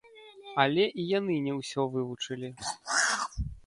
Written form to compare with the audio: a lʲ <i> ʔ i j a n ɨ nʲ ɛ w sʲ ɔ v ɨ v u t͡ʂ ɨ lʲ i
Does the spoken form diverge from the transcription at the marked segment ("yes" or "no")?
yes